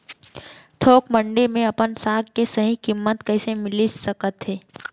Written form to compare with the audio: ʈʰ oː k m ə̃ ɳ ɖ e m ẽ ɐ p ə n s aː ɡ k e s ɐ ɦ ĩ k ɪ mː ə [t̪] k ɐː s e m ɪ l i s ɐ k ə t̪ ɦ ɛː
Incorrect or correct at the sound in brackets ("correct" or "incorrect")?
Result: correct